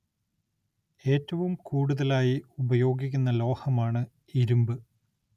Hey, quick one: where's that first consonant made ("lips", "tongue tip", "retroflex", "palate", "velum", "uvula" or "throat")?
tongue tip